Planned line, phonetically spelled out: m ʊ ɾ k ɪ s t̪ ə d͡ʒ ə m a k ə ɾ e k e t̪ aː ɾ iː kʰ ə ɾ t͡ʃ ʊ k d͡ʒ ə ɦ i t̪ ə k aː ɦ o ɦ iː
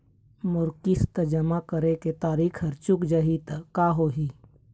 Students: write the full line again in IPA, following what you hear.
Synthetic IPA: m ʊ ɾ k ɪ s t̪ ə d͡ʒ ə m a k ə ɾ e k e t̪ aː ɾ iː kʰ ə ɾ t͡ʃ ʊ k d͡ʒ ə ɦ i t̪ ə k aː ɦ o ɦ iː

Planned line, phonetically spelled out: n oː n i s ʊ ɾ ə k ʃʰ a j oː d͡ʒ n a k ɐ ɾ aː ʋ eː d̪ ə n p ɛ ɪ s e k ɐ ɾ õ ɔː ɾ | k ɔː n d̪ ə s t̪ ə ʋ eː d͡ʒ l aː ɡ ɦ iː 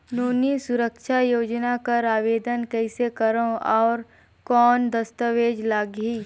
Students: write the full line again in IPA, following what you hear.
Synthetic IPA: n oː n i s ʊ ɾ ə k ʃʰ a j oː d͡ʒ n a k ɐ ɾ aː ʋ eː d̪ ə n k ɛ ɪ s e k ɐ ɾ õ ɔː ɾ | k ɔː n d̪ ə s t̪ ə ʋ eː d͡ʒ l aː ɡ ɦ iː

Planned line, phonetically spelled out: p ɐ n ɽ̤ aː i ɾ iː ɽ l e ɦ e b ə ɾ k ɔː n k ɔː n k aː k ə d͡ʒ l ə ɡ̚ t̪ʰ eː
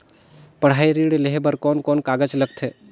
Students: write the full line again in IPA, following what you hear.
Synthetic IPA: p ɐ ɽ̤ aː i ɾ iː ɽ l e ɦ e b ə ɾ k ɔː n k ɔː n k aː ɡ ə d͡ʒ l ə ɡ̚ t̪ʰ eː

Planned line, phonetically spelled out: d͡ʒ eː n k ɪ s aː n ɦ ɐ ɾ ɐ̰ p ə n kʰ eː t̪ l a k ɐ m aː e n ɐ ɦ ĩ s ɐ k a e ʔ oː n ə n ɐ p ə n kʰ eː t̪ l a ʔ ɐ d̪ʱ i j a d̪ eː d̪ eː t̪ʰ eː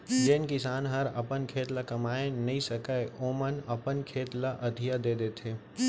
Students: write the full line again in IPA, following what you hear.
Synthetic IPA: d͡ʒ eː n k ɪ s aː n ɦ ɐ ɾ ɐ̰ p ə n kʰ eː t̪ l a k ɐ m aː e n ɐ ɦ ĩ s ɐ k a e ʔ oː m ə n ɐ p ə n kʰ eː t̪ l a ʔ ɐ d̪ʱ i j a d̪ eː d̪ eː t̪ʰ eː

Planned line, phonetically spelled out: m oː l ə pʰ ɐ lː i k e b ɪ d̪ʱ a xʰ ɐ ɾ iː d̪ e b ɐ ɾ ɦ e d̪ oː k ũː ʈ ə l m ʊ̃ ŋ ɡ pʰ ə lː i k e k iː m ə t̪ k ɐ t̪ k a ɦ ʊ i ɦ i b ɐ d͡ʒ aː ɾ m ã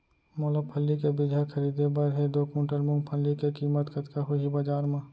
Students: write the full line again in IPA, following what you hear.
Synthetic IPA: m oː l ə pʰ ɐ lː i k e b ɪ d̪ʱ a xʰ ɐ ɾ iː d̪ e b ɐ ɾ ɦ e d̪ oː k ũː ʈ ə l m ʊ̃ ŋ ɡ pʰ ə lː i k e k iː m ə t̪ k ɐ t̪ k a ɦ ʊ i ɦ i b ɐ d͡ʒ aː ɾ m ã

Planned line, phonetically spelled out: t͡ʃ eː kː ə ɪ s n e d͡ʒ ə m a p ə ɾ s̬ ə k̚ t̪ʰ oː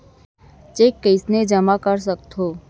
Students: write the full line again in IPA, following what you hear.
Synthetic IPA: t͡ʃ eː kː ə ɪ s n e d͡ʒ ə m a k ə ɾ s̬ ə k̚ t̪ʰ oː

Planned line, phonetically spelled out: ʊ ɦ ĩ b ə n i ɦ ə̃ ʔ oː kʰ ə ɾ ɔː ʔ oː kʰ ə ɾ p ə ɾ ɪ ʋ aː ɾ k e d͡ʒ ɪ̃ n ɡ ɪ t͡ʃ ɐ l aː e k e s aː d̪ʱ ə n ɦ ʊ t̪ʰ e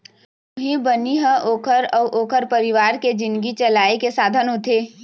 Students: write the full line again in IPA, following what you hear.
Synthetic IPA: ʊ ɦ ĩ b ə n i ɦ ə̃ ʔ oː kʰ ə ɾ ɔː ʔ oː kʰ ə ɾ p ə ɾ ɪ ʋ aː ɾ k e d͡ʒ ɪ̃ n ɡ i t͡ʃ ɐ l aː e k e s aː d̪ʱ ə n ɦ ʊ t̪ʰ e

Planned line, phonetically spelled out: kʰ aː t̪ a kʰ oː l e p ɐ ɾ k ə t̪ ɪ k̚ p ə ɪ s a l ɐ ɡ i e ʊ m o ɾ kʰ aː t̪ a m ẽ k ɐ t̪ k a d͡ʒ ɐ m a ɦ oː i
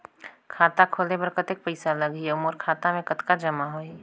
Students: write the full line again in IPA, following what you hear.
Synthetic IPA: kʰ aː t̪ a kʰ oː l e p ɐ ɾ k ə t̪ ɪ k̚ p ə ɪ s a l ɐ ɡ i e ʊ m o ɾ kʰ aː t̪ a m ẽ k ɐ t̪ k a d͡ʒ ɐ m a ɦ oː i

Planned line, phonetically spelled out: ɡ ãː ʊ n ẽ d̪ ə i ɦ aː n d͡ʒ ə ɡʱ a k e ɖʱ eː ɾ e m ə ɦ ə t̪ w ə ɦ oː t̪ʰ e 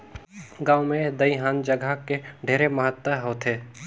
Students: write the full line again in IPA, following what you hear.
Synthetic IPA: ɡ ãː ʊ m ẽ d̪ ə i ɦ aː n d͡ʒ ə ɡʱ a k e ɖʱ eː ɾ e m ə ɦ ə t̪ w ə ɦ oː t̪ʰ e

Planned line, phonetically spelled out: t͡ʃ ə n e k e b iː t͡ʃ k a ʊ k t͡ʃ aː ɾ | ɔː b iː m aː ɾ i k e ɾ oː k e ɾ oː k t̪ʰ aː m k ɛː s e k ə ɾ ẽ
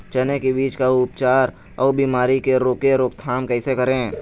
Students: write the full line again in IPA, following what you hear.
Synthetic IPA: t͡ʃ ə n e k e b iː t͡ʃ k a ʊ p t͡ʃ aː ɾ | ɔː b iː m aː ɾ i k e ɾ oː k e ɾ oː k t̪ʰ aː m k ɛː s e k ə ɾ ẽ

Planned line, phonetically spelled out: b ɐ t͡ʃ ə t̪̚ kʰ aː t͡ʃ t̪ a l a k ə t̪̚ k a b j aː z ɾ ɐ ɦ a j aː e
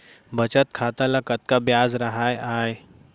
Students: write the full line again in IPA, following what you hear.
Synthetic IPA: b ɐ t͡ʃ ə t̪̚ kʰ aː t̪ a l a k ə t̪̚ k a b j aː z ɾ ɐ ɦ a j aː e

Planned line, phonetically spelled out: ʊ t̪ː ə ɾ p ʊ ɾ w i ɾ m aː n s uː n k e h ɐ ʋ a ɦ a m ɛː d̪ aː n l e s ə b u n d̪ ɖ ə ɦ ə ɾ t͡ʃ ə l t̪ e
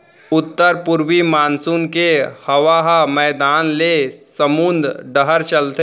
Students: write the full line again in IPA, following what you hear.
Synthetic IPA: ʊ t̪ː ə ɾ p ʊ ɾ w i m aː n s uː n k e h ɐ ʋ a ɦ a m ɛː d̪ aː n l e s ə m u n d̪ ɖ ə ɦ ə ɾ t͡ʃ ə l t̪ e

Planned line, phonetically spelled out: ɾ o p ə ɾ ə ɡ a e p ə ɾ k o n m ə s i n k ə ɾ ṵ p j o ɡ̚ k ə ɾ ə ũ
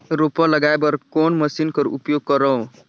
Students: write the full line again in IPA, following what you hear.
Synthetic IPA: ɾ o p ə l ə ɡ a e b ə ɾ k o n m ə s i n k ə ɾ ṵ p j o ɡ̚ k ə ɾ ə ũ

